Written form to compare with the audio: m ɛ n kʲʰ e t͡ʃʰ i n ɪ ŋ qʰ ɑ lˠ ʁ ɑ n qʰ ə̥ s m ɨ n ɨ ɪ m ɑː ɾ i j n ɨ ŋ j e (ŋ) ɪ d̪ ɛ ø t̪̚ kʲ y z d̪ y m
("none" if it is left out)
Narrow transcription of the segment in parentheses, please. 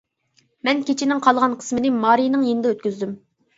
n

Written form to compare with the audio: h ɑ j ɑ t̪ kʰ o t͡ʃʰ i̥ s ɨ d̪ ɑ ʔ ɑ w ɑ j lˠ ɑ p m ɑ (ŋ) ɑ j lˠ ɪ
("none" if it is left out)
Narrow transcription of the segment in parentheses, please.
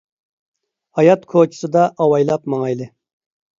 ŋ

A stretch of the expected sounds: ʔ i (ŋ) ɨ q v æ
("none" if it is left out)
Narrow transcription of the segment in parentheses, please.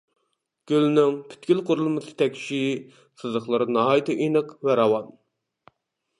n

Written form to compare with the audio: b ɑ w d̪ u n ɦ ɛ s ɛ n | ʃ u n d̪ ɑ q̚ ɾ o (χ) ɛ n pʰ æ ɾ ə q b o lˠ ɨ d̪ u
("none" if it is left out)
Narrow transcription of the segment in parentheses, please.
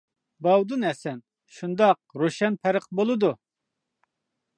ʃ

